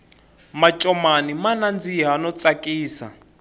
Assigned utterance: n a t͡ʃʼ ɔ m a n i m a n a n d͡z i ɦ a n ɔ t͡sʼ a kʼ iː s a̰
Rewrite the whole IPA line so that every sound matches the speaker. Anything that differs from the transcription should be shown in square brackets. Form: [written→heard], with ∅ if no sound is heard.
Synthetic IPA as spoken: [n→m] a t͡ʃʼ ɔ m a n i m a n a n d͡z i ɦ a n ɔ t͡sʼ a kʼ iː s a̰